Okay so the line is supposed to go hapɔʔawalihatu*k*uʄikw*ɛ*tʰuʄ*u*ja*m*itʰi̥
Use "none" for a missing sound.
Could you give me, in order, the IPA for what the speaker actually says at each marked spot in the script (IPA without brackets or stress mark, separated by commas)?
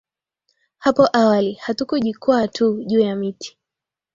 k, a, uː, m